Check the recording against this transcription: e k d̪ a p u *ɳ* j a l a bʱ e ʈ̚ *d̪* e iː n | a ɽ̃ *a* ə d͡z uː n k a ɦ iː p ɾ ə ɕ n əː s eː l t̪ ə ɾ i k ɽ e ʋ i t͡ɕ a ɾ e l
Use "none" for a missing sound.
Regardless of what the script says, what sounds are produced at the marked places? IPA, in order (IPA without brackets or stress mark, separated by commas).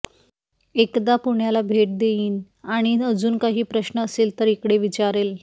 ɳ, d̪, i